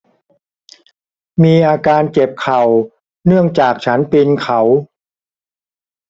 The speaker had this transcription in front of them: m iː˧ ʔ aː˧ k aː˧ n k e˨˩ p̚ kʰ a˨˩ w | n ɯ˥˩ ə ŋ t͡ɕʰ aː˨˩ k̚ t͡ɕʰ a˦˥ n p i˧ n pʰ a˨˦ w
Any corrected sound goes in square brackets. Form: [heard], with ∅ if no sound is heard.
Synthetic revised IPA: m iː˧ ʔ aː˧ k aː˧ n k e˨˩ p̚ kʰ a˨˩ w | n ɯ˥˩ ə ŋ [t͡ɕ] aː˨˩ k̚ t͡ɕʰ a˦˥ n p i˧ n [kʰ] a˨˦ w

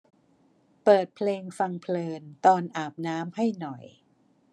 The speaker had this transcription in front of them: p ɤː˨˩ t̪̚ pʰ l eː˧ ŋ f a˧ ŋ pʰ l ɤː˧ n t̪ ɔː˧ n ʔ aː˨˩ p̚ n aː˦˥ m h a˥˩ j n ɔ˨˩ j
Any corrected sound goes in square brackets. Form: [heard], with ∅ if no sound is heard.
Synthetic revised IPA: p ɤː˨˩ t̪̚ pʰ l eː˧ ŋ f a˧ ŋ pʰ l ɤː˧ n t̪ ɔː˧ n ʔ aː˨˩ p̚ n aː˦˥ m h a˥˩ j n ɔ˨˩ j

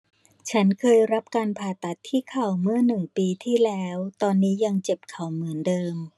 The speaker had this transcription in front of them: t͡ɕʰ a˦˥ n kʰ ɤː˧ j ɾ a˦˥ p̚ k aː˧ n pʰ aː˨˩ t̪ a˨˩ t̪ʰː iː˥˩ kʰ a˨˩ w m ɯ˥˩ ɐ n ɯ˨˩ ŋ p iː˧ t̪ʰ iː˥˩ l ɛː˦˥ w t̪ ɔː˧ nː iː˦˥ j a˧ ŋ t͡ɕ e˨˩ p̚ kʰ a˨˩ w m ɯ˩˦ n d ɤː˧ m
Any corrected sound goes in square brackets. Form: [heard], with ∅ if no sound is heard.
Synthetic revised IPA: t͡ɕʰ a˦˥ n kʰ ɤː˧ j ɾ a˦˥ p̚ k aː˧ n pʰ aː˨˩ t̪ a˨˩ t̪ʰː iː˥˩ kʰ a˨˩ w m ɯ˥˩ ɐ n ɯ˨˩ ŋ p iː˧ t̪ʰ iː˥˩ l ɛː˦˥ w t̪ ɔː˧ nː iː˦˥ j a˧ ŋ t͡ɕ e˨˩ p̚ kʰ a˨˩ w m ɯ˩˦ n d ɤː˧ m

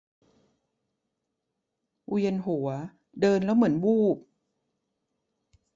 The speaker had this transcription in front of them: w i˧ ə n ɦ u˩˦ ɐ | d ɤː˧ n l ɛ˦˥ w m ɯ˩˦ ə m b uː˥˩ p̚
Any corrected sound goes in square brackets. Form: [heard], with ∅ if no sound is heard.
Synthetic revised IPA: w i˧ ə n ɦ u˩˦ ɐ | d ɤː˧ n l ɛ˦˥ w m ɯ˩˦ ə [n] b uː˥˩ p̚

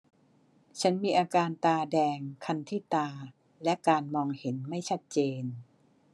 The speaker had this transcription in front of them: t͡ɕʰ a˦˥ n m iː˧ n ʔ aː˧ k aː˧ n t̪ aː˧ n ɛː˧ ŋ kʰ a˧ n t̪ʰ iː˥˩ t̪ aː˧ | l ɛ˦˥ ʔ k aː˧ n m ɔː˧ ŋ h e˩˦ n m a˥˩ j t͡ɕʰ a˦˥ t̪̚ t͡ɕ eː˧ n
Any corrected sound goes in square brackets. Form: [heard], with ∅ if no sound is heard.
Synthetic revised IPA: t͡ɕʰ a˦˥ n m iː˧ [∅] ʔ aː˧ k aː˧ n t̪ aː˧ [d] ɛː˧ ŋ kʰ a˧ n t̪ʰ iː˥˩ t̪ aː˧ | l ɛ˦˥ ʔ k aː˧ n m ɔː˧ ŋ h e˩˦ n m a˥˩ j t͡ɕʰ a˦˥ t̪̚ t͡ɕ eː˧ n

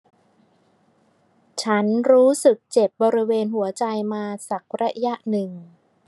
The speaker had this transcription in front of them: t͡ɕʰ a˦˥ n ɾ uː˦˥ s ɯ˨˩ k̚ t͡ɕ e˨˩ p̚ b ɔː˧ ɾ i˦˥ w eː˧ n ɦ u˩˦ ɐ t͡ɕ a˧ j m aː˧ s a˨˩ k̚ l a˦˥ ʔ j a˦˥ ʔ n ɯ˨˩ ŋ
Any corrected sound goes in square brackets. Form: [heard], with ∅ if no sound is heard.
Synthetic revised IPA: t͡ɕʰ a˦˥ n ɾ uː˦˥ s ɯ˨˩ k̚ t͡ɕ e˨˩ p̚ b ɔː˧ ɾ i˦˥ w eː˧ n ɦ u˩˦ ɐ t͡ɕ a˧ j m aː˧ s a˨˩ k̚ [ɾ] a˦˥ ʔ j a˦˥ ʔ n ɯ˨˩ ŋ

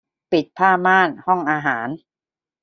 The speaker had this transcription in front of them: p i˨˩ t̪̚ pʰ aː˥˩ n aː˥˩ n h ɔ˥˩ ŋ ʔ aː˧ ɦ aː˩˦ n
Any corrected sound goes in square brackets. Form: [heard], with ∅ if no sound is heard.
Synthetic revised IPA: p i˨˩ t̪̚ pʰ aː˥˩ [m] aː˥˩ n h ɔ˥˩ ŋ ʔ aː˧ ɦ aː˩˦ n

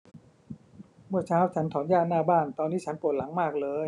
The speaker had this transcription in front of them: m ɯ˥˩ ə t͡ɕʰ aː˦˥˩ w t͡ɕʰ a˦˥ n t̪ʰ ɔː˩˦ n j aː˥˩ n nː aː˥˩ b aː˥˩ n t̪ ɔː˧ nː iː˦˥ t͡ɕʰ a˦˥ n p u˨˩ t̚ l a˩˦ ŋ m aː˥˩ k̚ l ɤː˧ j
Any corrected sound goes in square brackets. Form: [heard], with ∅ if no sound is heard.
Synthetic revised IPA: m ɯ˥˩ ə t͡ɕʰ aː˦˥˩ w t͡ɕʰ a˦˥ n t̪ʰ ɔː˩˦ n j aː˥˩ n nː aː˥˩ b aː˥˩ n t̪ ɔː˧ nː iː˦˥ t͡ɕʰ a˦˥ n p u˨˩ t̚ l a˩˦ ŋ m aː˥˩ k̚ l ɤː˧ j

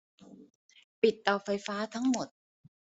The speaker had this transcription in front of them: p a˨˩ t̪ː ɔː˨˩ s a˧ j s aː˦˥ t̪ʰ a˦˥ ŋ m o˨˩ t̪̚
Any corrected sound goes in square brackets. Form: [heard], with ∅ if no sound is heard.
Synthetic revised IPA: p [i˨˩] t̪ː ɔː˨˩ [f] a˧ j [f] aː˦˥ t̪ʰ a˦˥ ŋ m o˨˩ t̪̚

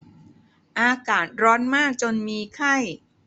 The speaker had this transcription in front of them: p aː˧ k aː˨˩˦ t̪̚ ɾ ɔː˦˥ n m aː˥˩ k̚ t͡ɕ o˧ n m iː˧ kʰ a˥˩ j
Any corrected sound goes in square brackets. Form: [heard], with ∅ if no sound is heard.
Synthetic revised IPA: [ʔ] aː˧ k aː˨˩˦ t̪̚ ɾ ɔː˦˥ n m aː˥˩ k̚ t͡ɕ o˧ n m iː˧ kʰ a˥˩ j

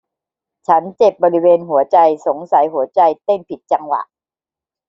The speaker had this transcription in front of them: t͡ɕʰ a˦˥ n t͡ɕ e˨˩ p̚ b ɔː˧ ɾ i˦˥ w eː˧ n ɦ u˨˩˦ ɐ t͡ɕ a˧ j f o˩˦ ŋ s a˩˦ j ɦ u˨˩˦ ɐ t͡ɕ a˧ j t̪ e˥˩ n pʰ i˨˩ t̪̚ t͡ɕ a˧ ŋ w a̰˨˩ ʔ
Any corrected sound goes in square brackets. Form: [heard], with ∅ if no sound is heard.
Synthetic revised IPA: t͡ɕʰ a˦˥ n t͡ɕ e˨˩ p̚ b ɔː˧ ɾ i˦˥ w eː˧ n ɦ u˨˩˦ ɐ t͡ɕ a˧ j [s] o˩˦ ŋ s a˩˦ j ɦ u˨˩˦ ɐ t͡ɕ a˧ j t̪ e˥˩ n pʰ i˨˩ t̪̚ t͡ɕ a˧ ŋ w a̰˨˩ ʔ

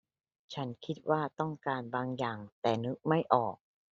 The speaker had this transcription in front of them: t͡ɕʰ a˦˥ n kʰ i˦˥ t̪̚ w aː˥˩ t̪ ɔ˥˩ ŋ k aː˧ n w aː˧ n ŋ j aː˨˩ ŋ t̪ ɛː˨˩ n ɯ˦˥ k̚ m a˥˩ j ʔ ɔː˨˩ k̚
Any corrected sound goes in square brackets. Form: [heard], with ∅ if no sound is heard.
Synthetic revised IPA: t͡ɕʰ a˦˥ n kʰ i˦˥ t̪̚ w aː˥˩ t̪ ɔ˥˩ ŋ k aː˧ n [b] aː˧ [∅] ŋ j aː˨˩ ŋ t̪ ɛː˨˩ n ɯ˦˥ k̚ m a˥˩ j ʔ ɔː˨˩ k̚

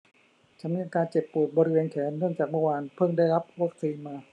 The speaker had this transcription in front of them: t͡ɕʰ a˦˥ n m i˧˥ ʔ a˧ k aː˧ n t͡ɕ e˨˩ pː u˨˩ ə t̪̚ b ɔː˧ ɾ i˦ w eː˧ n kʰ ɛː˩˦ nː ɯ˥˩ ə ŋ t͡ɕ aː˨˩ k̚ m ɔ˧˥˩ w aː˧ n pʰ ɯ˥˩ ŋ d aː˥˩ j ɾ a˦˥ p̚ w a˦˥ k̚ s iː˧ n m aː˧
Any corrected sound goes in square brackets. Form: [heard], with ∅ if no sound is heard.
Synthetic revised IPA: t͡ɕʰ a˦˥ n m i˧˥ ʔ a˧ k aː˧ n t͡ɕ e˨˩ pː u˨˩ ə t̪̚ b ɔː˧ ɾ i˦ w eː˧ n kʰ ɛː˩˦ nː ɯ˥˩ ə ŋ t͡ɕ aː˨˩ k̚ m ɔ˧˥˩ w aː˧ n pʰ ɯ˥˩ ŋ d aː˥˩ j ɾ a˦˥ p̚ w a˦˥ k̚ s iː˧ n m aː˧

